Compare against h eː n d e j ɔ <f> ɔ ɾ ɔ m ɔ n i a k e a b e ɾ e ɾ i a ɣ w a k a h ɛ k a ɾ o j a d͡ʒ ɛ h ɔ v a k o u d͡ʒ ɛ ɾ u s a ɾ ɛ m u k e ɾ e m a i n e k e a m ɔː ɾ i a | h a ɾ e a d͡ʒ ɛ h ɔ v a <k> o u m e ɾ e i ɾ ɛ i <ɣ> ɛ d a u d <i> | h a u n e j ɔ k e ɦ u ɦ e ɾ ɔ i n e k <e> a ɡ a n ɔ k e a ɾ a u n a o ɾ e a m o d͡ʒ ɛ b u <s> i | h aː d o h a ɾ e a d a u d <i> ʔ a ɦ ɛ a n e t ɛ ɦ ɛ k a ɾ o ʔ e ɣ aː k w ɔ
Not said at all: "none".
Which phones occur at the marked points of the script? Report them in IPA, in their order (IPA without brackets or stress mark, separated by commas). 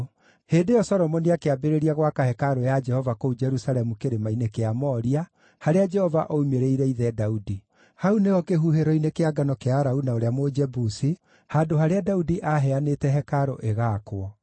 s, ʔ, ð, i, e, s, i